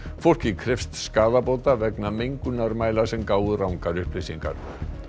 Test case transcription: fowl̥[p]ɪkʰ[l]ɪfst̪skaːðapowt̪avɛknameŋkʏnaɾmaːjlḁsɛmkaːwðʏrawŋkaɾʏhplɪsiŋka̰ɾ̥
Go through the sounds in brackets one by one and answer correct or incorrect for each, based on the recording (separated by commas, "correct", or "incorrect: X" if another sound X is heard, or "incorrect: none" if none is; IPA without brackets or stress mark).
incorrect: c, incorrect: ɾ